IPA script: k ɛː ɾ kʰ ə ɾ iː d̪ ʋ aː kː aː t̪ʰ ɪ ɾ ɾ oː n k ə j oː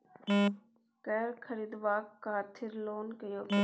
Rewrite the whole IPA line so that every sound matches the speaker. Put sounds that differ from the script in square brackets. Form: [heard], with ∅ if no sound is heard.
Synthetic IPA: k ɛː ɾ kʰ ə ɾ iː d̪ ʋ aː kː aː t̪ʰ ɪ ɾ [l] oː n k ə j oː